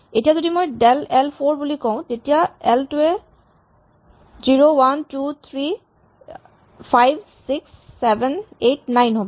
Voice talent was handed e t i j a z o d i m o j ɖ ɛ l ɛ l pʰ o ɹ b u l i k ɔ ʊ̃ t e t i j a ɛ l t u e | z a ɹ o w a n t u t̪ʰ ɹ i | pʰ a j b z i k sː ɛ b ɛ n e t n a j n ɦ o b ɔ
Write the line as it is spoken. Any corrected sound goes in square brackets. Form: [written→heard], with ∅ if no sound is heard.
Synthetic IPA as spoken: e t i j a z o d i m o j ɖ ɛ l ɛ l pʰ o ɹ b u l i k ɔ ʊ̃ t e t i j a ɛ l t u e | z [a→i] ɹ o w a n t u t̪ʰ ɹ i | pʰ a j b [z→s] i k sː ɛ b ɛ n e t n a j n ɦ o b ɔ